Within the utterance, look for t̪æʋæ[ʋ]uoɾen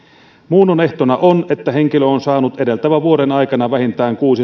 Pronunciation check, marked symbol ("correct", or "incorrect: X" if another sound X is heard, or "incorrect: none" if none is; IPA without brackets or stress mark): correct